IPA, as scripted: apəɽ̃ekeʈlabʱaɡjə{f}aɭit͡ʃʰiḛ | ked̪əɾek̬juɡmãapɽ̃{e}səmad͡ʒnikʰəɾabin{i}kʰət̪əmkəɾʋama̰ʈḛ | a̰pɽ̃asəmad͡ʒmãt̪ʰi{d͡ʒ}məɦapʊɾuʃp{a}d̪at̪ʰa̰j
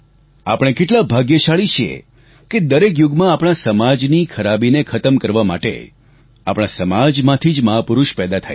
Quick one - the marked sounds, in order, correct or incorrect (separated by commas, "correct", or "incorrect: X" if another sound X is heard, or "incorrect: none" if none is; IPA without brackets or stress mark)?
incorrect: ʃ, incorrect: a, incorrect: e, correct, incorrect: ɛ